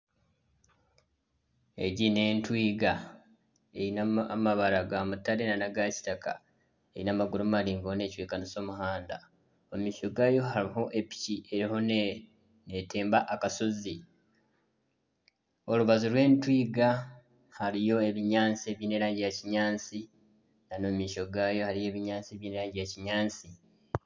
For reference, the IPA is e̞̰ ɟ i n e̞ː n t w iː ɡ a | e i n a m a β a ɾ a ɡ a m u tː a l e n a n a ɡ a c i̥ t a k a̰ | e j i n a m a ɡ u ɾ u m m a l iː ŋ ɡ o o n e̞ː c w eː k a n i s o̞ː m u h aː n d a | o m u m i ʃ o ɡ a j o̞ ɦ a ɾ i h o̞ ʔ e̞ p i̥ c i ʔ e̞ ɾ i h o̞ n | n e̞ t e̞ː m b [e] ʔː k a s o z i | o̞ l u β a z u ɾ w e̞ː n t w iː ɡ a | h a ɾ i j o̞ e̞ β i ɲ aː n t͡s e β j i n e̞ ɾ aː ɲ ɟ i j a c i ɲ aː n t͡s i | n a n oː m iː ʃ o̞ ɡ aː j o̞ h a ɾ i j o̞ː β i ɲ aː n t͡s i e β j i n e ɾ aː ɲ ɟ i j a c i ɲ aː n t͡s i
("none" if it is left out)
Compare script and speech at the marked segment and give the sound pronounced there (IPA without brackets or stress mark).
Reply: a